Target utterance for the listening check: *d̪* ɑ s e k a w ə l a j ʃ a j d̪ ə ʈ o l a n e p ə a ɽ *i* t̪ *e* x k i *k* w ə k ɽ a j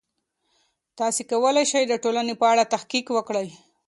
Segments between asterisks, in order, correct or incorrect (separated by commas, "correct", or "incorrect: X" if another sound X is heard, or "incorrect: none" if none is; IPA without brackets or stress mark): incorrect: t̪, incorrect: a, incorrect: a, correct